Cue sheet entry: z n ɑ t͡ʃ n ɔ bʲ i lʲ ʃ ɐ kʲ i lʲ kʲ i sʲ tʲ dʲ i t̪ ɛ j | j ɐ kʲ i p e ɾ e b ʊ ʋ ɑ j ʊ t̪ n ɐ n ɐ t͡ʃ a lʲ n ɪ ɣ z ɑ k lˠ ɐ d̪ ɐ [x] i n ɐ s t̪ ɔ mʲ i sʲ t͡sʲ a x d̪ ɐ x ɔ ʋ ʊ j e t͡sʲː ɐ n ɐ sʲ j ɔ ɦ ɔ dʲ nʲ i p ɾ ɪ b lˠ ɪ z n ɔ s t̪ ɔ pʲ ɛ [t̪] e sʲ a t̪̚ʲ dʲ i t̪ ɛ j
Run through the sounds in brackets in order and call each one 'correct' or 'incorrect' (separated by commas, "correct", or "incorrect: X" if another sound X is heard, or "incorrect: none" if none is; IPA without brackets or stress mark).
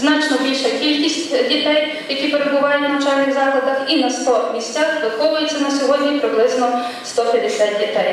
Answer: correct, incorrect: d̪